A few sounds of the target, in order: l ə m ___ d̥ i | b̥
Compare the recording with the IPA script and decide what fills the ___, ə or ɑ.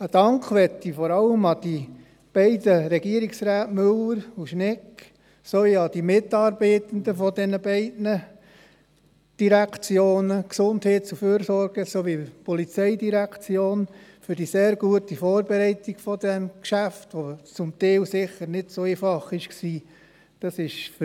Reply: ɑ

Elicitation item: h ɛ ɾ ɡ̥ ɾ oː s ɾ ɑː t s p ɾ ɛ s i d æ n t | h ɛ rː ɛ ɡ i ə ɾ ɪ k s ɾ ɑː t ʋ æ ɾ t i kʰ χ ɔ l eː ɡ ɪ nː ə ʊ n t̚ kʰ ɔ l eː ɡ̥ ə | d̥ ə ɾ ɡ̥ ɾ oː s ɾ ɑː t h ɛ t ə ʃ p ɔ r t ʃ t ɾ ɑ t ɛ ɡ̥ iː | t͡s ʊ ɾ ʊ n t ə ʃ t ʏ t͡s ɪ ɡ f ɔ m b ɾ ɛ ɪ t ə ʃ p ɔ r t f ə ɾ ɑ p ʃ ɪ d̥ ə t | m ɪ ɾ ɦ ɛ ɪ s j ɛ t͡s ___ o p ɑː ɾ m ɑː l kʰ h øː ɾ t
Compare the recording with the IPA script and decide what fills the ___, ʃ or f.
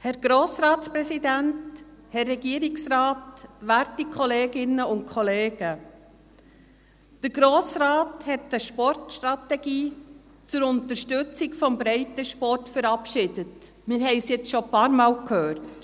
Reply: ʃ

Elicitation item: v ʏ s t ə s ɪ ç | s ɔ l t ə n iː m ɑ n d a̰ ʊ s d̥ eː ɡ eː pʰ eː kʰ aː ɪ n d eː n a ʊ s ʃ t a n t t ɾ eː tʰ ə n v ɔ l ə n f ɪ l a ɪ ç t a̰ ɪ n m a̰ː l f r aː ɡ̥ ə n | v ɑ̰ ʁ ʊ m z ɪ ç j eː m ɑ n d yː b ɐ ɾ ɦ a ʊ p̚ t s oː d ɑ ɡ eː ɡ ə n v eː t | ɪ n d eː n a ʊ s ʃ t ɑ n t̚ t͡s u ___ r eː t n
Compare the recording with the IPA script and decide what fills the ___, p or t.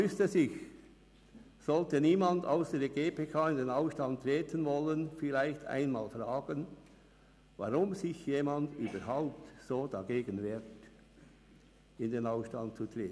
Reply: t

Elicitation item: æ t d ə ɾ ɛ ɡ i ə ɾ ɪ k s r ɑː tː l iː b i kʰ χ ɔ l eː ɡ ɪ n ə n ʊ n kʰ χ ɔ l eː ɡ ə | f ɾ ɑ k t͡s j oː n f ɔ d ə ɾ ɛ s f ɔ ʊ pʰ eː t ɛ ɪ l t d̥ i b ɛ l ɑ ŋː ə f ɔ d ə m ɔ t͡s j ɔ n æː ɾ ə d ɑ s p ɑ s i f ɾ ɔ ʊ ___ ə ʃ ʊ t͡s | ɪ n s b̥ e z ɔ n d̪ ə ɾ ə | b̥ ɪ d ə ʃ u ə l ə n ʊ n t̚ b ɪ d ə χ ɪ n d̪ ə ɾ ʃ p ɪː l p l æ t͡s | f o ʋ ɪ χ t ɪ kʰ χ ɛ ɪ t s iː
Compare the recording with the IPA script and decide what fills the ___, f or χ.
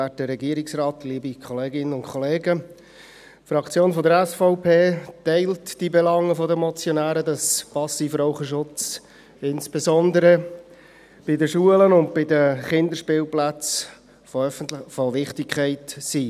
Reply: χ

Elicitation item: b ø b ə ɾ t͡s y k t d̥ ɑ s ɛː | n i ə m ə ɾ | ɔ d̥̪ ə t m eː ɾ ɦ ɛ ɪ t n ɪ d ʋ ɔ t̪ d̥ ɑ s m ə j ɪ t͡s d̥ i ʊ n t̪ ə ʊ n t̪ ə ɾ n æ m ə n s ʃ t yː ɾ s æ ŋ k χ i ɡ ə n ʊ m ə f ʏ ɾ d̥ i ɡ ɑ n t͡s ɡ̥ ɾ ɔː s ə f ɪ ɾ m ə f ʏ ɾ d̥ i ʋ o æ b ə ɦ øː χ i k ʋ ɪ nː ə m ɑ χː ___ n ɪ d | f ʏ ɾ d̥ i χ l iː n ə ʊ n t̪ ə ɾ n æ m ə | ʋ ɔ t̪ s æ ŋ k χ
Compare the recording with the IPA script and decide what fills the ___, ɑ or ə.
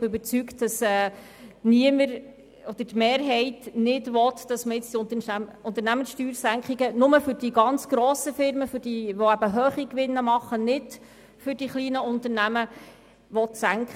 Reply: ə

